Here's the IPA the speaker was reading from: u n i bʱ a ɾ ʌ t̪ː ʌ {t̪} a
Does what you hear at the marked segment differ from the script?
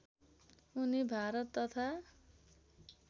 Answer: yes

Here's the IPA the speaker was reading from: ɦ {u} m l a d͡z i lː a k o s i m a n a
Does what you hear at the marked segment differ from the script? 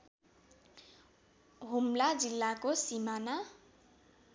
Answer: no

